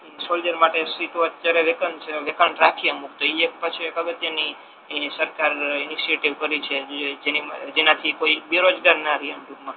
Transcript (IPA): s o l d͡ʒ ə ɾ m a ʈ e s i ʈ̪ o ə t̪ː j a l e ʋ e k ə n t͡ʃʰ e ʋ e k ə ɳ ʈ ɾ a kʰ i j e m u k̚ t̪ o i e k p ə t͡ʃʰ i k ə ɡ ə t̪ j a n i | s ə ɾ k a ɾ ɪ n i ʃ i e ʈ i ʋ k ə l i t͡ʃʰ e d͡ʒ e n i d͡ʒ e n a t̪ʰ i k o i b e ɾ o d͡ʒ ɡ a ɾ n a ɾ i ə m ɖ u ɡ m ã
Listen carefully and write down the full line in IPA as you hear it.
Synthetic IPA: s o l d͡ʒ ə ɾ m a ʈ e s i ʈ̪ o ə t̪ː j a ɾ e ʋ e k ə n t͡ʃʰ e ʋ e k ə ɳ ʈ ɾ a kʰ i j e m u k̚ t̪ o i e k p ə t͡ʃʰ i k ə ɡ ə t̪ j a n i | s ə ɾ k a ɾ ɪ n i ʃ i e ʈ i ʋ k ə ɾ i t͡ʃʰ e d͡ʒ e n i d͡ʒ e n a t̪ʰ i k o i b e ɾ o d͡ʒ ɡ a ɾ n a ɾ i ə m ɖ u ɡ m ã